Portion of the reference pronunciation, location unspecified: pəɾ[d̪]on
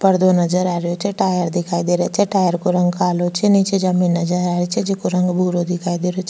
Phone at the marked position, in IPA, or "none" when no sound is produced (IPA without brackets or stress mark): d̪